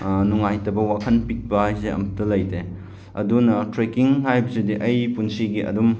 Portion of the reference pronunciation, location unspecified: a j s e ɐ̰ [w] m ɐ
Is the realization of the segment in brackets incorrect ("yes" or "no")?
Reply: yes